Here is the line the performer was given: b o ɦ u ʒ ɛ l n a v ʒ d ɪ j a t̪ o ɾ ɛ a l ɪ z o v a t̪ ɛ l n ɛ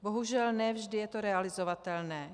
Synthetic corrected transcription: b o ɦ u ʒ ɛ l n ɛ v ʒ d ɪ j ɛ t̪ o ɾ ɛ a l ɪ z o v a t̪ ɛ l n ɛː

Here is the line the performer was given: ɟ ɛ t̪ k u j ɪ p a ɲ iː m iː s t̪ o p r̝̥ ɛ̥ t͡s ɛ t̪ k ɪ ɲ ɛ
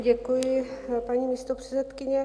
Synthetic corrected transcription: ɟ ɛ k u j ɪ p a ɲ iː m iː s t̪ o p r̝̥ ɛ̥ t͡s ɛ t̪ k ɪ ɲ ɛ

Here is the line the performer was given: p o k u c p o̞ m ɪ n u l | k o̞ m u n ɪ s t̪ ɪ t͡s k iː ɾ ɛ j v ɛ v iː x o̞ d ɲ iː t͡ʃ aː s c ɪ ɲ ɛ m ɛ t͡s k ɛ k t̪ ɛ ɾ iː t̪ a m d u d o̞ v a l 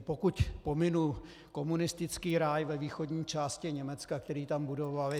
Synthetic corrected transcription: p o k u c p o̞ m ɪ n u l | k o̞ m u n ɪ s t̪ ɪ t͡s k iː ɾ a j v ɛ v iː x o̞ d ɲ iː t͡ʃ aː s c ɪ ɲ ɛ m ɛ t͡s k a k t̪ ɛ ɾ iː t̪ a m b u d o̞ v a l

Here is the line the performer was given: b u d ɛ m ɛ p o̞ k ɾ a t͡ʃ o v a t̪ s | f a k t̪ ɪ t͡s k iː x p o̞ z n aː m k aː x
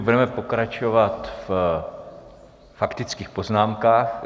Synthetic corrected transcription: b u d ɛ m ɛ p o̞ k ɾ a t͡ʃ o v a t̪ f | f a k t̪ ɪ t͡s k iː x p o̞ z n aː m k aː x

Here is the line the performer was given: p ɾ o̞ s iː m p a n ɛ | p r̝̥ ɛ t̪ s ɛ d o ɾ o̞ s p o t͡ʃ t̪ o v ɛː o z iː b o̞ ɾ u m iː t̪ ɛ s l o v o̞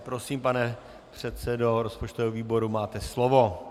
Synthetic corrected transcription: p ɾ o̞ s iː m p a n ɛ | p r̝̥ ɛ t̪ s ɛ d o ɾ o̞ s p o t͡ʃ t̪ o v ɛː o v iː b o̞ ɾ u m aː t̪ ɛ s l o v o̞

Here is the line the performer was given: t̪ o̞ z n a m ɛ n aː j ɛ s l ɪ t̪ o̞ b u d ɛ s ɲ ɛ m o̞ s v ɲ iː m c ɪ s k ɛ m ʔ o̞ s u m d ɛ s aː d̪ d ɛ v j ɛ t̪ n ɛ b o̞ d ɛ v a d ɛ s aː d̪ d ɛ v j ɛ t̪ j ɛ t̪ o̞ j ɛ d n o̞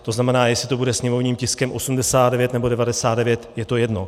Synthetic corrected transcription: t̪ o̞ z n a m ɛ n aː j ɛ s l ɪ t̪ o̞ b u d ɛ s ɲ ɛ m o̞ v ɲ iː m c ɪ s k ɛ m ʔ o̞ s u m d ɛ s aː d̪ d ɛ v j ɛ t̪ n ɛ b o̞ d ɛ v a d ɛ s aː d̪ d ɛ v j ɛ t̪ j ɛ t̪ o̞ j ɛ d n o̞

